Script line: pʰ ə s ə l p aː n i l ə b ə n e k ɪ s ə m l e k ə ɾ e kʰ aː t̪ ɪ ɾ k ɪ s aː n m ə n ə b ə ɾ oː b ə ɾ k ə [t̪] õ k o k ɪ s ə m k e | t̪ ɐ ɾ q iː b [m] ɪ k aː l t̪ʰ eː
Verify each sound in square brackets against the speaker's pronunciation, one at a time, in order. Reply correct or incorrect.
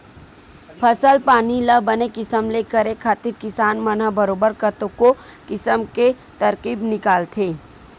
correct, incorrect: n

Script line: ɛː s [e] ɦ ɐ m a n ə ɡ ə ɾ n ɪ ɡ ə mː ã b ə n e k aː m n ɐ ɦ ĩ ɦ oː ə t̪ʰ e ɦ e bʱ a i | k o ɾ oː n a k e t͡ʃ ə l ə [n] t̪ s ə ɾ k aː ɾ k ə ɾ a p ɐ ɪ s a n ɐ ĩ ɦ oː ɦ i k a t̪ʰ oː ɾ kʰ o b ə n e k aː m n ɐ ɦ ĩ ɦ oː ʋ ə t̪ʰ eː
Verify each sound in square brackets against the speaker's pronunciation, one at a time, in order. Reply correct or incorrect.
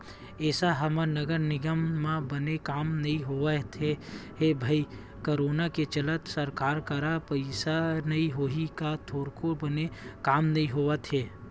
incorrect: a, incorrect: none

